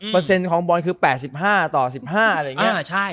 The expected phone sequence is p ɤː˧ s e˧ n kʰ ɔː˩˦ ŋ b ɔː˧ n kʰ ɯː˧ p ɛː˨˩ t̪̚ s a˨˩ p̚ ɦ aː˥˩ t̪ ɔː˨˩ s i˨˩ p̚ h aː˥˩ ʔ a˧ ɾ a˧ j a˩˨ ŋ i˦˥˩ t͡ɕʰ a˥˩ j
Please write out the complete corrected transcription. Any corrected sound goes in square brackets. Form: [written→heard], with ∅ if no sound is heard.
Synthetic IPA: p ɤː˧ s e˧ n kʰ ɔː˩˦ ŋ b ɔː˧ n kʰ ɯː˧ p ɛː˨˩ t̪̚ s [a˨˩→i˨˩] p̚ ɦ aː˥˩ t̪ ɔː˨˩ s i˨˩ p̚ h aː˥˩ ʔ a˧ ɾ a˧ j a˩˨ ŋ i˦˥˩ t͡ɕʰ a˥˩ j